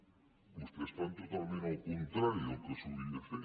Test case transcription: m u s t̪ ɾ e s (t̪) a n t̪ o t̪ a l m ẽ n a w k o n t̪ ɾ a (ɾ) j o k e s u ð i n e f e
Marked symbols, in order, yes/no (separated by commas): yes, yes